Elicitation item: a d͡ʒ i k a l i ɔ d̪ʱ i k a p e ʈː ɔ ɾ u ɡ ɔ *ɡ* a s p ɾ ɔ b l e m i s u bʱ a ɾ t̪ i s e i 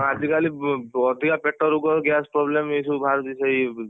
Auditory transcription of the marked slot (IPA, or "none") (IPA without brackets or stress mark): ɡ